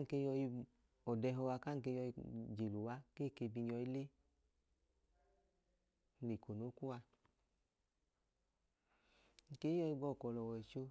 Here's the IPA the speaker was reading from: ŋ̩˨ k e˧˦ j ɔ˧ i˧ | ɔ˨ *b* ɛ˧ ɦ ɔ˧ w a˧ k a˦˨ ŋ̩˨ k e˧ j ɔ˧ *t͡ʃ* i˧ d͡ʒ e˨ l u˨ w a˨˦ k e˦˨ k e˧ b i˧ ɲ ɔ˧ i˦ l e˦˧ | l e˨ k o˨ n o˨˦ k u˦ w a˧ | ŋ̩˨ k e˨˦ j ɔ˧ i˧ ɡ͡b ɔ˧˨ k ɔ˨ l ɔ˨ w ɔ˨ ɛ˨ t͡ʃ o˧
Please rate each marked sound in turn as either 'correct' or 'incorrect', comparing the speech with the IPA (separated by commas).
incorrect, incorrect